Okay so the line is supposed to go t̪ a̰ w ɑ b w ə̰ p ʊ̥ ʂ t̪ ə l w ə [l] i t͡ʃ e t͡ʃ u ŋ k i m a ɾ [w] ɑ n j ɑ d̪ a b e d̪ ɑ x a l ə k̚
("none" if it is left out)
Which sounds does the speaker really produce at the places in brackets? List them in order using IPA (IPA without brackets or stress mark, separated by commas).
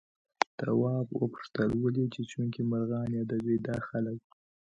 l, ɣ